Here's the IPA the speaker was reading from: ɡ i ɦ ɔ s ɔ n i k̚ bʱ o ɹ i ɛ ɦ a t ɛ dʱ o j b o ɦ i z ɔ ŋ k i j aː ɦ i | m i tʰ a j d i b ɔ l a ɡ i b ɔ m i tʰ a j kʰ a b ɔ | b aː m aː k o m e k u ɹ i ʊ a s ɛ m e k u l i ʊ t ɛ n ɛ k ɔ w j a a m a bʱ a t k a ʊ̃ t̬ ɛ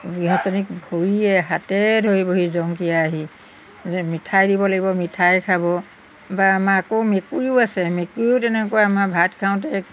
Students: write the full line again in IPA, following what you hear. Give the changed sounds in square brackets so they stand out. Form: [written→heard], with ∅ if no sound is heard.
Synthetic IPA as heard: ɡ i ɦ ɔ s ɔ n i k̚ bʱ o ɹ i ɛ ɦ a t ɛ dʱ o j b o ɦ i z ɔ ŋ k i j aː ɦ i | m i tʰ a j d i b ɔ l a ɡ i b ɔ m i tʰ a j kʰ a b ɔ | b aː m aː k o m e k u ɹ i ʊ a s ɛ m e k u [l→ɹ] i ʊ t ɛ n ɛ k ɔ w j a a m a bʱ a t [k→kʰ] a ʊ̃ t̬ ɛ

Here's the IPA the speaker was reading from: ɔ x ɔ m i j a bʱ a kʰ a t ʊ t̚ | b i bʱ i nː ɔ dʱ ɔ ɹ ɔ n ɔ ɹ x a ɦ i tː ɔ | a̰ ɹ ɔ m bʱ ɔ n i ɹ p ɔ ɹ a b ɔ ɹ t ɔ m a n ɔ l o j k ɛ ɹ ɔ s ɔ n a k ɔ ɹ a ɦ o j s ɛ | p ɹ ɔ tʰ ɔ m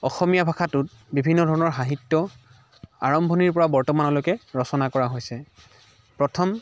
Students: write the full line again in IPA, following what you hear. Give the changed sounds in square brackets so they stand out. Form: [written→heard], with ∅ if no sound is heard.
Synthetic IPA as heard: ɔ x ɔ m i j a bʱ a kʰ a t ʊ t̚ | b i bʱ i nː ɔ dʱ ɔ ɹ ɔ n ɔ ɹ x a ɦ i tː ɔ | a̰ ɹ ɔ m bʱ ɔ n i ɹ p ɔ ɹ a b ɔ ɹ t ɔ m a n ɔ l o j k ɛ ɹ ɔ s ɔ n a k ɔ ɹ a ɦ o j s ɛ | p ɹ ɔ tʰ ɔ m

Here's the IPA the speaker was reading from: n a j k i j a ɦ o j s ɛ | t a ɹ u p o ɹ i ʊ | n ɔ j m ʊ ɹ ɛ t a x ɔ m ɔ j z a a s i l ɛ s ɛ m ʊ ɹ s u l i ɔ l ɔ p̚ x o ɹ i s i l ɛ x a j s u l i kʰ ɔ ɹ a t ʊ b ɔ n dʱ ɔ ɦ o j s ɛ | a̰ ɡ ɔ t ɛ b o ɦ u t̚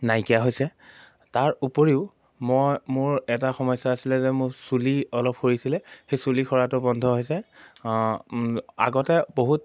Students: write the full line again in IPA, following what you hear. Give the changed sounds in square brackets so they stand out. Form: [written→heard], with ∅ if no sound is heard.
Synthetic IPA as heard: n a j k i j a ɦ o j s ɛ | t a ɹ u p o ɹ i ʊ | [n→m] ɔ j m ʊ ɹ ɛ t a x ɔ m ɔ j [z→s] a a s i l ɛ [s→z] ɛ m ʊ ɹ s u l i ɔ l ɔ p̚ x o ɹ i s i l ɛ x [a→e] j s u l i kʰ ɔ ɹ a t ʊ b ɔ n dʱ ɔ ɦ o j s ɛ | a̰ ɡ ɔ t ɛ b o ɦ u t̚

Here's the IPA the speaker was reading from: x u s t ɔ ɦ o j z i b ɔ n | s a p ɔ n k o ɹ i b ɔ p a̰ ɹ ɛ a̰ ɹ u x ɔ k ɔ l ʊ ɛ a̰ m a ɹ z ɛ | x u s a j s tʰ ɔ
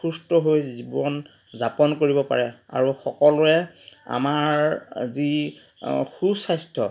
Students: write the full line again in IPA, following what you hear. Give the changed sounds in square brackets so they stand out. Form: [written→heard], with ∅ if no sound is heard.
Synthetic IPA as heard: x u s t ɔ ɦ o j z i b ɔ n | [s→z] a p ɔ n k o ɹ i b ɔ p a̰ ɹ ɛ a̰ ɹ u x ɔ k ɔ l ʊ ɛ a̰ m a ɹ z [ɛ→i] | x u s a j s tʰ ɔ

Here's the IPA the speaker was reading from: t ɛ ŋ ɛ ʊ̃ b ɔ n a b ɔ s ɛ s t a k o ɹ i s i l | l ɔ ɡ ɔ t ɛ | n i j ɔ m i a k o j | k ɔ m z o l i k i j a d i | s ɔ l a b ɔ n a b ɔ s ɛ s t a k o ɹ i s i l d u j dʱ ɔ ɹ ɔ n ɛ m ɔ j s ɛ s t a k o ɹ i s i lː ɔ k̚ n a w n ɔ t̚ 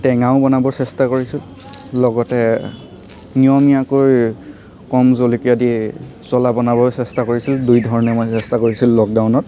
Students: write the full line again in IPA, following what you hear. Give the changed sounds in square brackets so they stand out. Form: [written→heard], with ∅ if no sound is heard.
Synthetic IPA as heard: t ɛ ŋ [ɛ→a] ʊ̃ b ɔ n a b ɔ s ɛ s t a k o ɹ i s i l | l ɔ ɡ ɔ t ɛ | n i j ɔ m i a k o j | k ɔ m z o l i k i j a d i | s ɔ l a b ɔ n a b ɔ s ɛ s t a k o ɹ i s i l d u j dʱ ɔ ɹ ɔ n ɛ m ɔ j s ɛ s t a k o ɹ i s i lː ɔ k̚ [n→d] a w n ɔ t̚

